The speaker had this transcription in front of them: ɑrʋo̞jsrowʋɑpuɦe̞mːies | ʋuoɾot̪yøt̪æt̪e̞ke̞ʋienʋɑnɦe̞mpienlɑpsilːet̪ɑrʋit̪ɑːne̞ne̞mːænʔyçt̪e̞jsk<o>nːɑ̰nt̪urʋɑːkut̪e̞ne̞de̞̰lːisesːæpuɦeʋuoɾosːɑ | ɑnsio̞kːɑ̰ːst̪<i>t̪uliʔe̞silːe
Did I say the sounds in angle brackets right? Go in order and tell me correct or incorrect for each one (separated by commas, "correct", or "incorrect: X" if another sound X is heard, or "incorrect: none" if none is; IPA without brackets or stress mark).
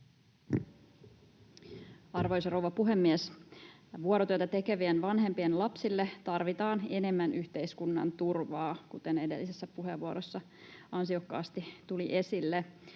incorrect: u, correct